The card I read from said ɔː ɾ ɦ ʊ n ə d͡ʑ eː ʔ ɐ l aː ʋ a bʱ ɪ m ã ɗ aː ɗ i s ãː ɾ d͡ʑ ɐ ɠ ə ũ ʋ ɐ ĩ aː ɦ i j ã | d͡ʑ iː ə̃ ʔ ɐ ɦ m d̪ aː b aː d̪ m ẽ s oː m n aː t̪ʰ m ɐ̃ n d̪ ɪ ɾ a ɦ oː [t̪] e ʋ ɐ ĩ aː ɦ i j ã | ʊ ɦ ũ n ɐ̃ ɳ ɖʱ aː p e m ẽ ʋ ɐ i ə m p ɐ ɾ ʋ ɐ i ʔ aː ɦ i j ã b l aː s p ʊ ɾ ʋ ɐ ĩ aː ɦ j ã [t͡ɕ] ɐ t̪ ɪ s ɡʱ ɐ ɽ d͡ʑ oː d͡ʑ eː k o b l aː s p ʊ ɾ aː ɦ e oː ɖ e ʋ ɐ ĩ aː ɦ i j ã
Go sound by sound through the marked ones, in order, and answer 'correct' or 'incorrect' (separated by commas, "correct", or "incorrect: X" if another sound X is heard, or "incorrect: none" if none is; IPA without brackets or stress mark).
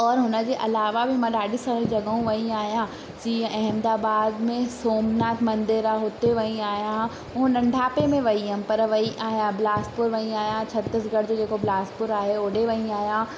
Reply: correct, incorrect: t͡ɕʰ